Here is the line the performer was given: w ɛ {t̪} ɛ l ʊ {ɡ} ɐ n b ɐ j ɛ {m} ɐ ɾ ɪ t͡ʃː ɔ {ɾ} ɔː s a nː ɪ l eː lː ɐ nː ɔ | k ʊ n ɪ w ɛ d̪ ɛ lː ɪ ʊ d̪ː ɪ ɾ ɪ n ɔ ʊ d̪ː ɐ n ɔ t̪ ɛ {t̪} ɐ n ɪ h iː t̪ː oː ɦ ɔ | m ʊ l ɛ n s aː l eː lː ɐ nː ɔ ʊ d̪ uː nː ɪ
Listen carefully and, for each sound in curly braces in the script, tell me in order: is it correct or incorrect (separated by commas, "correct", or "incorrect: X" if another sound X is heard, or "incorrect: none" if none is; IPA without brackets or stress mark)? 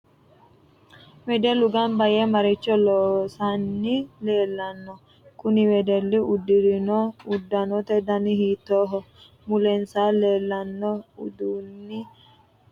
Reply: incorrect: d̪, correct, correct, incorrect: l, incorrect: d̪